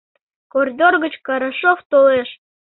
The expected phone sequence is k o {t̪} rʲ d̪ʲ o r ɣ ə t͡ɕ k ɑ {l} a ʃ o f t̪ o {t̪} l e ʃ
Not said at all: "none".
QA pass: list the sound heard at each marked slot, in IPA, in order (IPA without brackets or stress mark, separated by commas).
none, ɾ, none